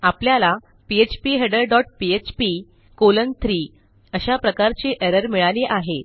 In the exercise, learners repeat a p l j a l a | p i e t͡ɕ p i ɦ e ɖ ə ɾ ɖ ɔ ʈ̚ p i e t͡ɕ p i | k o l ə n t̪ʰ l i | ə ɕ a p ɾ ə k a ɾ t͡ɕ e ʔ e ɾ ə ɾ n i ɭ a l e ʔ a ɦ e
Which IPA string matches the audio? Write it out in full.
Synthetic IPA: a p l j a l a | p i e t͡ɕ p i ɦ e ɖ ə ɾ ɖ ɔ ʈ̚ p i e t͡ɕ p i | k o l ə n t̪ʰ ɾ i | ə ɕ a p ɾ ə k a ɾ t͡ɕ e ʔ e ɾ ə ɾ m i ɭ a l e ʔ a ɦ e